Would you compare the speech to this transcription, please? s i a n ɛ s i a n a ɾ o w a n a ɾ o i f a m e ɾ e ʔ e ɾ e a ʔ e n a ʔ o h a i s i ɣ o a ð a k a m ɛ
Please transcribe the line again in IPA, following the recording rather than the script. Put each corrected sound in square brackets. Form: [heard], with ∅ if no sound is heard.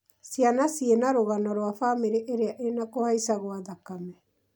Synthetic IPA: s i a n [a] s i [e] n a ɾ o [ɣ] a n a ɾ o [a] f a m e ɾ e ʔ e ɾ e a ʔ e n a [k] o h a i s [a] ɣ o a ð a k a m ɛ